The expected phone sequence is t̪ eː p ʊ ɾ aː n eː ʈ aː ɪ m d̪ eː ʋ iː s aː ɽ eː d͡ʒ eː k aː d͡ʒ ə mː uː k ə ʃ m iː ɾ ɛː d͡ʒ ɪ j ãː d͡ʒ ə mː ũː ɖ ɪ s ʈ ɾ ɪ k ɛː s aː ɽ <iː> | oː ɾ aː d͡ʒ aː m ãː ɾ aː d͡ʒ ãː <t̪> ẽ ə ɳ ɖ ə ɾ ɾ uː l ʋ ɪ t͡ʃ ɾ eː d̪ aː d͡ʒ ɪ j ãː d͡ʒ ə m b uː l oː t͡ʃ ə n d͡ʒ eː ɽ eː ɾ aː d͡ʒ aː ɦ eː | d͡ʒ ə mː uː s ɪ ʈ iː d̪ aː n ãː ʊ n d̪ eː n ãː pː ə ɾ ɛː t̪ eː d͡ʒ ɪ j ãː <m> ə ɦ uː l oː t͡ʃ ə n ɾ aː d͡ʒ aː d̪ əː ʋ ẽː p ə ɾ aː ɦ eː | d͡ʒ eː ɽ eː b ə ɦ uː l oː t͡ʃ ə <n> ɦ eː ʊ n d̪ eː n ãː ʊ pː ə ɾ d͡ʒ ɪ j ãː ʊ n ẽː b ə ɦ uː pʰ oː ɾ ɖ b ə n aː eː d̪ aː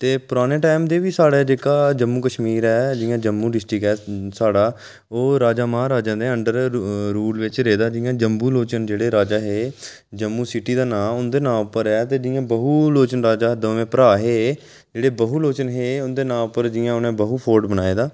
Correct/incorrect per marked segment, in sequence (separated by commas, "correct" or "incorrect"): incorrect, incorrect, incorrect, correct